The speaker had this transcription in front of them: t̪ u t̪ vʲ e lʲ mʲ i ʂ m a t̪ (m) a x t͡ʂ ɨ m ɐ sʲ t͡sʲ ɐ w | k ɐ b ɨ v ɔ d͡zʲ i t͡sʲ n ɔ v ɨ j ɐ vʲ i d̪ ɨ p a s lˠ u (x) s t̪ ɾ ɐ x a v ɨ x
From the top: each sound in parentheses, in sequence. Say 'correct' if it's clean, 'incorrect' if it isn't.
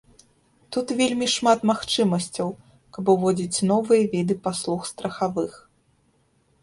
correct, correct

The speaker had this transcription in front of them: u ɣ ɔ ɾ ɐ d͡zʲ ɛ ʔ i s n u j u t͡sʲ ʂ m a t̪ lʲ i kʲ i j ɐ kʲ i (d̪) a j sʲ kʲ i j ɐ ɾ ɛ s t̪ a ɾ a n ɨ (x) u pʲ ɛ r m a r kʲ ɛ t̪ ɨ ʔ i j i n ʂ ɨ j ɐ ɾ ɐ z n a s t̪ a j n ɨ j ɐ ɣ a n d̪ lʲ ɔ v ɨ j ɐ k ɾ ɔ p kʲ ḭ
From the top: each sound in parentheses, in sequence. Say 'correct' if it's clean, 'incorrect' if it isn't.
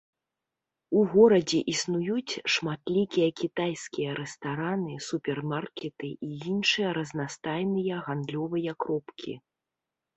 incorrect, incorrect

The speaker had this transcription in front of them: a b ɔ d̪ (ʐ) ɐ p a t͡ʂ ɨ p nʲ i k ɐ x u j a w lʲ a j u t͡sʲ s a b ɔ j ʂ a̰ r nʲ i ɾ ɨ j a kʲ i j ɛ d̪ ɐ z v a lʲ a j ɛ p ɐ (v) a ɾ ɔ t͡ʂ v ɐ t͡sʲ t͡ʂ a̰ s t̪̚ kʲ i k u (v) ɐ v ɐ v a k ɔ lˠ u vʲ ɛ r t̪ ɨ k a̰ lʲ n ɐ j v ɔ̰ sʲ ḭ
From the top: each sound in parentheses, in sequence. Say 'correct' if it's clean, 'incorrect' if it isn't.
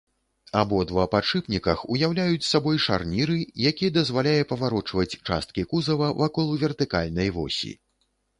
incorrect, correct, incorrect

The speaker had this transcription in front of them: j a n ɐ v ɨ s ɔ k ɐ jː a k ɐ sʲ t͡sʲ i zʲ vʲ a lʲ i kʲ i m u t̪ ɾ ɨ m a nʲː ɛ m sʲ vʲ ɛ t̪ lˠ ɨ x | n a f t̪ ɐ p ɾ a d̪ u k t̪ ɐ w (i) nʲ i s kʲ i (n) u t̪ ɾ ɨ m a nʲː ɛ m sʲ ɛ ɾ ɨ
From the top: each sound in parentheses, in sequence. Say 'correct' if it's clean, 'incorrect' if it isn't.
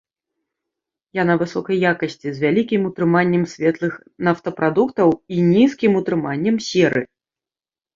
correct, incorrect

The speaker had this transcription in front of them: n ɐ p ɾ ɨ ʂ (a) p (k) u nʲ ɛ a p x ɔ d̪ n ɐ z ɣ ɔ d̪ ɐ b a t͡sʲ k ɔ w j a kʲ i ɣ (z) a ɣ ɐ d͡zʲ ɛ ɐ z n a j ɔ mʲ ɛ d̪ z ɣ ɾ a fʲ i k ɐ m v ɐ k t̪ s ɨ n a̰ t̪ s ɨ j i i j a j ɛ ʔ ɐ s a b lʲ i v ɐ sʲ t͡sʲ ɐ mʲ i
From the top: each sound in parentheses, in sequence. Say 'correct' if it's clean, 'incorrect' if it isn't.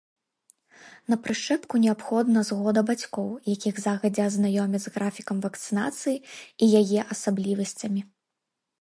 incorrect, correct, correct

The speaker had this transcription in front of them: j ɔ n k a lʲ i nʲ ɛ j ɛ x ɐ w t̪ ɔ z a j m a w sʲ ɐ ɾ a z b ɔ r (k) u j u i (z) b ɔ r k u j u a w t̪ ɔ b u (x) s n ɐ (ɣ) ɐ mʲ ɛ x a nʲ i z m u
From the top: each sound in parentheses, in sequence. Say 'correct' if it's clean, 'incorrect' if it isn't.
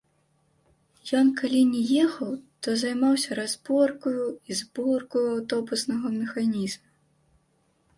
correct, correct, incorrect, correct

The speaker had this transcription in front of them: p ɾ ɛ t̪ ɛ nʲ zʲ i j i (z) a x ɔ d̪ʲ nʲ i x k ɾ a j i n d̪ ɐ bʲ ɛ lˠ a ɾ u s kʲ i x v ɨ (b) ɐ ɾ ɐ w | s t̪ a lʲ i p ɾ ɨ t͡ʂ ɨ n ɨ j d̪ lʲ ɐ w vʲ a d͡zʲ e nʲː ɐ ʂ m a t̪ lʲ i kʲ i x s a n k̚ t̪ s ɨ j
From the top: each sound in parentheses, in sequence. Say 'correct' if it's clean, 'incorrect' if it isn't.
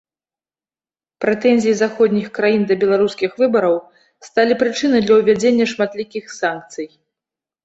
correct, correct

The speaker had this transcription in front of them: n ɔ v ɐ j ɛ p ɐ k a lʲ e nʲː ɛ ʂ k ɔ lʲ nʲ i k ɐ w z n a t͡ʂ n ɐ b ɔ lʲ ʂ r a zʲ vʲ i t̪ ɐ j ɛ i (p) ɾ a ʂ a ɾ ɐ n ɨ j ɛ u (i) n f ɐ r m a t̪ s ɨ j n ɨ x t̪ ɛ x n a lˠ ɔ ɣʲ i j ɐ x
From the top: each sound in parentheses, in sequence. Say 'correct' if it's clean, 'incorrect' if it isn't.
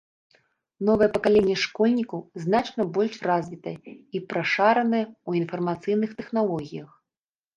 correct, correct

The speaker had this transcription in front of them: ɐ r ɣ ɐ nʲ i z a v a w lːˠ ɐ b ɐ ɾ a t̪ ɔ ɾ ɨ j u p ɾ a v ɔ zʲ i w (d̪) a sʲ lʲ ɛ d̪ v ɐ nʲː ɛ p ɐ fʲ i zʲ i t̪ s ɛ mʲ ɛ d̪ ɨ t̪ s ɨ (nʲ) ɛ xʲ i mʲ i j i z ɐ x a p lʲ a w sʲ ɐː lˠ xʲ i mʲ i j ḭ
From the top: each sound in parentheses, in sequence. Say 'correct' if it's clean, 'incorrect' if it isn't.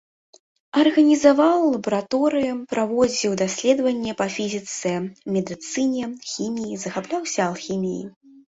correct, correct

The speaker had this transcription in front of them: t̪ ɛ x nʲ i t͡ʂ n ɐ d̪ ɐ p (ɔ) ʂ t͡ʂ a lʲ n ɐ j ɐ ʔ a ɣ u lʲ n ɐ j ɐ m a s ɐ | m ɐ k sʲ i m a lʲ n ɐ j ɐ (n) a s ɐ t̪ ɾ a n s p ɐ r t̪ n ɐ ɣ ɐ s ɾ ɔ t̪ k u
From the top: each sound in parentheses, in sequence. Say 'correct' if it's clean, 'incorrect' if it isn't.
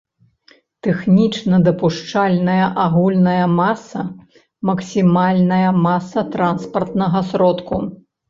incorrect, incorrect

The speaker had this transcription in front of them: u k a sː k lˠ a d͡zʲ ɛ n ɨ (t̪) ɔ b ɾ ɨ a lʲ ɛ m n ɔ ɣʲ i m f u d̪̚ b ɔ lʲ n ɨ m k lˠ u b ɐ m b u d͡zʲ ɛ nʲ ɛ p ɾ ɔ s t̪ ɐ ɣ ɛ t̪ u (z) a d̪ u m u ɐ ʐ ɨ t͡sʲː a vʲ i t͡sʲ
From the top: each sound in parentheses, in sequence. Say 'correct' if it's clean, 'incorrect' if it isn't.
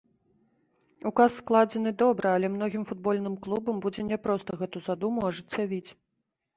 incorrect, correct

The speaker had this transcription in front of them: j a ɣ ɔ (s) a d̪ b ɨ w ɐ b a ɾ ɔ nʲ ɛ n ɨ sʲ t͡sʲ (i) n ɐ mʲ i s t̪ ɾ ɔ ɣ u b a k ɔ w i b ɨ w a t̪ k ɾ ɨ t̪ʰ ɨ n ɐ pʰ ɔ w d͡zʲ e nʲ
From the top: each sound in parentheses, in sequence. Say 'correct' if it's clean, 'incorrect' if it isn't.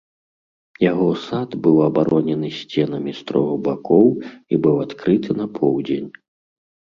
correct, incorrect

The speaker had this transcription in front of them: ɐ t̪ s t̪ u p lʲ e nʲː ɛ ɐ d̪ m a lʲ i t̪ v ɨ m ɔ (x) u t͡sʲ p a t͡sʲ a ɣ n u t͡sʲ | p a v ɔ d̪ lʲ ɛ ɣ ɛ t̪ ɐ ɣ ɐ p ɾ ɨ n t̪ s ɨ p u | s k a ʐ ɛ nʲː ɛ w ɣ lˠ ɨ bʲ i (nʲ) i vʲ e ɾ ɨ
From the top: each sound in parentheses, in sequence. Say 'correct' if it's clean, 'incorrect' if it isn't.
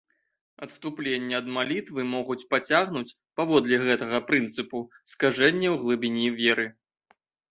incorrect, correct

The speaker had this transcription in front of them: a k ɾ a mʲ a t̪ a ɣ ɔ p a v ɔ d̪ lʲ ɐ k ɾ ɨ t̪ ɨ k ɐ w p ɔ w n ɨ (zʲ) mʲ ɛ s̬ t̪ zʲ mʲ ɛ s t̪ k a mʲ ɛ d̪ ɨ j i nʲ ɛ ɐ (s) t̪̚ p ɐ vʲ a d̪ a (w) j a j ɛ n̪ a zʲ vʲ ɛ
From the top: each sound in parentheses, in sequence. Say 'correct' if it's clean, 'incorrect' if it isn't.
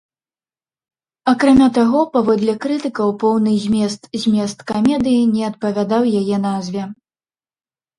correct, incorrect, correct

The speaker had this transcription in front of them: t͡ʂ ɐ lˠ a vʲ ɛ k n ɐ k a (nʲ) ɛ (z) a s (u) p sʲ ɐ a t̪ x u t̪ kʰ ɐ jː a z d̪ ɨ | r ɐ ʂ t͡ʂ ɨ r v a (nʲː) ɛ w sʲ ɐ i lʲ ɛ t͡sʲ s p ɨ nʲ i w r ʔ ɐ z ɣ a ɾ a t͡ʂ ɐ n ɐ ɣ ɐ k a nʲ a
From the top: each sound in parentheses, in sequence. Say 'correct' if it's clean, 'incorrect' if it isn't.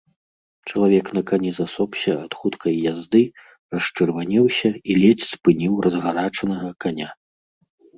correct, correct, incorrect, incorrect

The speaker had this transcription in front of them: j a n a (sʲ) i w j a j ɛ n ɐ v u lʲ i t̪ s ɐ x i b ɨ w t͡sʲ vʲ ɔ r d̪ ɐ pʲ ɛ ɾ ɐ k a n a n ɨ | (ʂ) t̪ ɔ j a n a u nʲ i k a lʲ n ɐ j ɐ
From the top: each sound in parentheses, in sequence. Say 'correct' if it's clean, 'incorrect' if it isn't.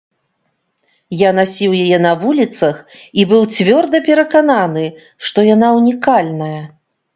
correct, correct

